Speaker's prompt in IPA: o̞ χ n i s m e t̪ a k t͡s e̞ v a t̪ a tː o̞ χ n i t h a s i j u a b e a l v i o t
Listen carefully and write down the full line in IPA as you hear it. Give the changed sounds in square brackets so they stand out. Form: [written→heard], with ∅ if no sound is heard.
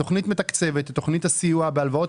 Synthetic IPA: o̞ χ n i [s→t] m e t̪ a k t͡s e̞ v [a→e] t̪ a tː o̞ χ n i t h a s i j u a b e a l v [i→a] o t